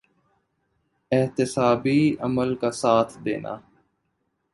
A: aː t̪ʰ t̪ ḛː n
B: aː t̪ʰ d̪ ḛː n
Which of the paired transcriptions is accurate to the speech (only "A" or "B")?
B